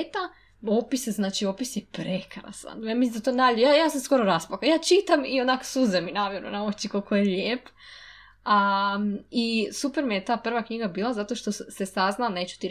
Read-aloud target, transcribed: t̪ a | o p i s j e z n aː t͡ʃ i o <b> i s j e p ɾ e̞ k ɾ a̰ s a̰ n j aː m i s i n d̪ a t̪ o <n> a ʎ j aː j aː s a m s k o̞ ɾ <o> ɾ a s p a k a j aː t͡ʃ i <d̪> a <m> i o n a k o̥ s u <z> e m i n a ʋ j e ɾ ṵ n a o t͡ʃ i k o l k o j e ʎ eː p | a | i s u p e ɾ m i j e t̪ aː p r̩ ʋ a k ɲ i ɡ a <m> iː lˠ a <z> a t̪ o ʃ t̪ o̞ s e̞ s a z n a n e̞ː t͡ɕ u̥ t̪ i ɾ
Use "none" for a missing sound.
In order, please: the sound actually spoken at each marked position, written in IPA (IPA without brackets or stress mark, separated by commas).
p, n, o, t̪, m, z, b, z